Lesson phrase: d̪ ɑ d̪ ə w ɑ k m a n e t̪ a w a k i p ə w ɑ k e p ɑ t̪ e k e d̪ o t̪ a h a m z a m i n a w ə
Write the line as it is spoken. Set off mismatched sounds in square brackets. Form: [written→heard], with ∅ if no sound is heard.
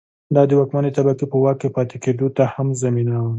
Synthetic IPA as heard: d̪ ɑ d̪ ə w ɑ k m a n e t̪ a [w→b] a k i p ə w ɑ k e p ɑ t̪ e k e d̪ o t̪ a h a m z a m i n a w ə